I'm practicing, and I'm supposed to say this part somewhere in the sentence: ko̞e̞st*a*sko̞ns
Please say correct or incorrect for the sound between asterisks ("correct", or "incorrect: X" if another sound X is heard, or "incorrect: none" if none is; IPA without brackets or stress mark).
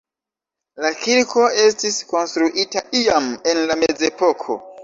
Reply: incorrect: i